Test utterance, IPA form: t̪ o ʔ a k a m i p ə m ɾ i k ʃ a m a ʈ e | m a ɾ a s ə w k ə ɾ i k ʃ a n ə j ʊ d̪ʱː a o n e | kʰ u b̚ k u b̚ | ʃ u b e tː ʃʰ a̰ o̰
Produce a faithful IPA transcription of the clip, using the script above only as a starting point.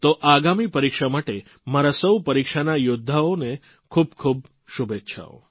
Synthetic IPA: t̪ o ʔ a ɡ a m i p ə ɾ i k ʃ a m a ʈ e | m a ɾ a s ə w p ə ɾ i k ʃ a n a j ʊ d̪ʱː a o n e | kʰ u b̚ kʰ u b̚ | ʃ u b e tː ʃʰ a̰ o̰